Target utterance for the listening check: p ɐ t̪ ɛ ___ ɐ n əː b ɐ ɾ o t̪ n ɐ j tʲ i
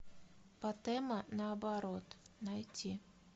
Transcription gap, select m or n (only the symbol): m